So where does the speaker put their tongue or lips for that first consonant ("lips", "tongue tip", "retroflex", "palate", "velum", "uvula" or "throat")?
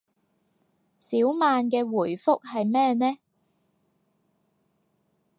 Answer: tongue tip